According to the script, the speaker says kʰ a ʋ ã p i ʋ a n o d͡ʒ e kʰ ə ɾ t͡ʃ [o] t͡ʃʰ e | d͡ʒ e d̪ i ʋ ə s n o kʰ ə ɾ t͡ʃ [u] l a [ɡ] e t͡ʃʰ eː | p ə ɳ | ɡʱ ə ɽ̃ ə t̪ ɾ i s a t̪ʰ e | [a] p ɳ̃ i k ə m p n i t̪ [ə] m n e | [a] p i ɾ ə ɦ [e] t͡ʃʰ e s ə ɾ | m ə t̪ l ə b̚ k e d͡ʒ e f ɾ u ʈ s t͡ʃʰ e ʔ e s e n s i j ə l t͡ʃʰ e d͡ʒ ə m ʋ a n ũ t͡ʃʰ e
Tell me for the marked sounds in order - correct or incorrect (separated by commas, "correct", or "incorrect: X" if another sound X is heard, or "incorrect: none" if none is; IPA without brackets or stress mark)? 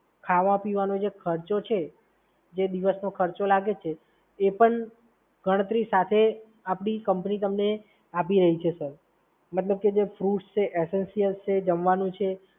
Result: correct, incorrect: o, correct, correct, correct, correct, incorrect: i